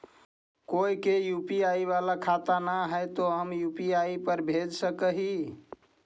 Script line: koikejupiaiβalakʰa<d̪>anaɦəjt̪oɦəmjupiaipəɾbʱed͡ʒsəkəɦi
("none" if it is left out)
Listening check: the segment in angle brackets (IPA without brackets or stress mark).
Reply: t̪